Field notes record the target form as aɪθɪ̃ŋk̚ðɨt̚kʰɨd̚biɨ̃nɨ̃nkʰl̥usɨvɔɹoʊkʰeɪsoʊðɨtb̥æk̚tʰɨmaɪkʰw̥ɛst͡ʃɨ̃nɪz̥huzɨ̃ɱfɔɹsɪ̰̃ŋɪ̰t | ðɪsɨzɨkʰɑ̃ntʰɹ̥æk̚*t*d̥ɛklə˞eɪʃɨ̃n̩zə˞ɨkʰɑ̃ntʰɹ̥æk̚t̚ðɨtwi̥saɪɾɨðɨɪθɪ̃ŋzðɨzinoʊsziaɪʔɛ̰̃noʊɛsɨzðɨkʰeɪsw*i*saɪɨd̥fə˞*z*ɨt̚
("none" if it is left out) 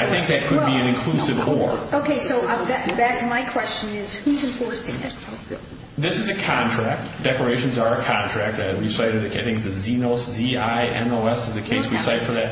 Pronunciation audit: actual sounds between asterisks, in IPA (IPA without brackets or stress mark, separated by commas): t, i, ð